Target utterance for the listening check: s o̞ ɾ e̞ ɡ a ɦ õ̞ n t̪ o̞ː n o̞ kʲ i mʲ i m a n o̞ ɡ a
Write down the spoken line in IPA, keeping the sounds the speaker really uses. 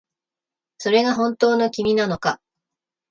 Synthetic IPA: s o̞ ɾ e̞ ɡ a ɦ õ̞ n t̪ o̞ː n o̞ kʲ i mʲ i n a n o̞ k a